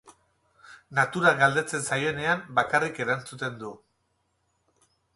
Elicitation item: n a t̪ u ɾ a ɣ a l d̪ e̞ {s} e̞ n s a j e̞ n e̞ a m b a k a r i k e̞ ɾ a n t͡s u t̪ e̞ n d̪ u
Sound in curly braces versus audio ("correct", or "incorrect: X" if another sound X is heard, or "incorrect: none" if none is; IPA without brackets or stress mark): incorrect: t͡s